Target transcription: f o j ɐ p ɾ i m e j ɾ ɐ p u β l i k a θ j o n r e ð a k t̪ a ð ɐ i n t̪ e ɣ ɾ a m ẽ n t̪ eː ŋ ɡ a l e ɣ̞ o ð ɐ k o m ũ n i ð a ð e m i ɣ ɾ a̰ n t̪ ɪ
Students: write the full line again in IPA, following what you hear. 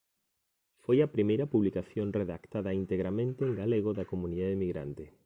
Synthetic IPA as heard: f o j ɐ p ɾ i m e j ɾ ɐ p u β l i k a θ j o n r e ð a k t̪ a ð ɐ i n t̪ e ɣ ɾ a m ẽ n t̪ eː ŋ ɡ a l e ɣ̞ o ð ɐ k o m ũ n i ð a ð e m i ɣ ɾ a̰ n t̪ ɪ

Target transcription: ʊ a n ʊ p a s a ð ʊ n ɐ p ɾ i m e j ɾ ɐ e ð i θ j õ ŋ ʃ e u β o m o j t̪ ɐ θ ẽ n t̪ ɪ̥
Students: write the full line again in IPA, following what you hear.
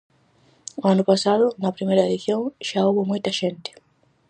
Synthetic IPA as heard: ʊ a n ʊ p a s a ð ʊ n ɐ p ɾ i m e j ɾ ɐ e ð i θ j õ ŋ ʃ a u β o m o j t̪ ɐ ʃ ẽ n t̪ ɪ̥

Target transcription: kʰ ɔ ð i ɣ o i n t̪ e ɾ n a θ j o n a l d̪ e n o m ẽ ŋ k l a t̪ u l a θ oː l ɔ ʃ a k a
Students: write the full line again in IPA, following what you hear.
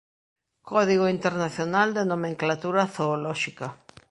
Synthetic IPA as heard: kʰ ɔ ð i ɣ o i n t̪ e ɾ n a θ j o n a l d̪ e n o m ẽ ŋ k l a t̪ u ɾ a θ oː l ɔ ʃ i k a

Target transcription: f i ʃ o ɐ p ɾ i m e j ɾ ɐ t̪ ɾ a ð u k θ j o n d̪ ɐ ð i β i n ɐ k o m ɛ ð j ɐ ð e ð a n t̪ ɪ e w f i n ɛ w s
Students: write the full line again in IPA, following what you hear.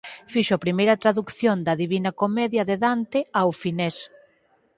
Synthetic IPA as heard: f i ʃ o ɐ p ɾ i m e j ɾ ɐ t̪ ɾ a ð u k θ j o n d̪ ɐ ð i β i n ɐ k o m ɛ ð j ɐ ð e ð a n t̪ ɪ a w f i n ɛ s

